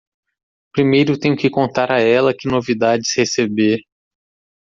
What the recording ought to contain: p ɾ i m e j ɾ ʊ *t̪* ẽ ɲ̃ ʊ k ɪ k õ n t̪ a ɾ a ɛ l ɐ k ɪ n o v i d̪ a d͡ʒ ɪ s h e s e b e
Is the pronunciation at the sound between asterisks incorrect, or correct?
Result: correct